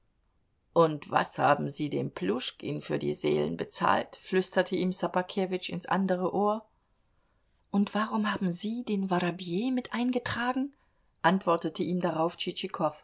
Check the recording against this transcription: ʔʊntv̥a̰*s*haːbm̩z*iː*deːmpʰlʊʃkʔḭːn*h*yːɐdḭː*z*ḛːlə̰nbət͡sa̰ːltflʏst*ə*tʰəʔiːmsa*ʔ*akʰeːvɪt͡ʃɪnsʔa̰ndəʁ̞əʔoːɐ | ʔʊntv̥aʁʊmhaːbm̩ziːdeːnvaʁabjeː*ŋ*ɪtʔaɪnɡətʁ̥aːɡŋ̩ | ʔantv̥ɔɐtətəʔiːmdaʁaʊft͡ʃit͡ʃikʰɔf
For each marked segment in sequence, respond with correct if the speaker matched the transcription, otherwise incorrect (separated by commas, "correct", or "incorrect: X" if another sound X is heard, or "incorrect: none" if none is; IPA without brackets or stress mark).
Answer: correct, correct, incorrect: f, correct, incorrect: ɐ, incorrect: p, incorrect: m